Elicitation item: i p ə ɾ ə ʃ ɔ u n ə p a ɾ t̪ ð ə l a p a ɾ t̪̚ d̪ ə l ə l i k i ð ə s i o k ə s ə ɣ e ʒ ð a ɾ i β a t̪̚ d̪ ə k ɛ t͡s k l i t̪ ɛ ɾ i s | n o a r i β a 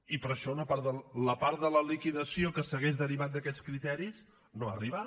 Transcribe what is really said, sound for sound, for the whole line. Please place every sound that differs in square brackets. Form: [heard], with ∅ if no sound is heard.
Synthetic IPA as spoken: i p ə ɾ ə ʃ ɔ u n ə p a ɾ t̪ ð ə l [ə] p a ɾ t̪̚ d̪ ə l ə l i k i ð ə s i o k ə s ə ɣ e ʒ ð [ə] ɾ i β a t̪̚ d̪ ə k ɛ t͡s k [ɾ] i t̪ ɛ ɾ i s | n o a r i β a